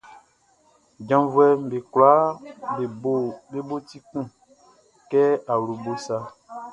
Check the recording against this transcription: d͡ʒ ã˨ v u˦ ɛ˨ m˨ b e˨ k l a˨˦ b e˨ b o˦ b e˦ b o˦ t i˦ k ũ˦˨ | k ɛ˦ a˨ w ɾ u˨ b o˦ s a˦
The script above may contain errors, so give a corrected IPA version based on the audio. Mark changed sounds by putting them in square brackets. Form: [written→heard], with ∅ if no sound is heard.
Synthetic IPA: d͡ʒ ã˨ v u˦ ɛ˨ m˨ b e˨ k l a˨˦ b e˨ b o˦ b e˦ b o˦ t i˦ k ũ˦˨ | k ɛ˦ a˨ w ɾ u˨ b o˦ s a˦